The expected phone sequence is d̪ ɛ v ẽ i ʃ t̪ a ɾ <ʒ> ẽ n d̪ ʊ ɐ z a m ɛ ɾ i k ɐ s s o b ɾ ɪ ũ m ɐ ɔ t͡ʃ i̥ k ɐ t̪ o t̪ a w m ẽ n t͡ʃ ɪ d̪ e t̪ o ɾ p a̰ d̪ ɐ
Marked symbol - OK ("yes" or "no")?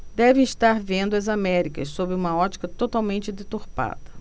no